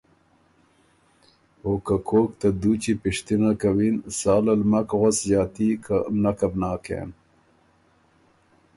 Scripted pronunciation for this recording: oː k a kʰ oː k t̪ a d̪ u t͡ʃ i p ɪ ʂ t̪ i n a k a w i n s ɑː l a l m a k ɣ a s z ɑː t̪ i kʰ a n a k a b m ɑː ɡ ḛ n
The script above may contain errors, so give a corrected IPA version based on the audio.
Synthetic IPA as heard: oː k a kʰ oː k t̪ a d̪ u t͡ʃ i p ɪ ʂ t̪ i n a k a w i n s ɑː l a l m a k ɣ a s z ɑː t̪ i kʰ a n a k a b n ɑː k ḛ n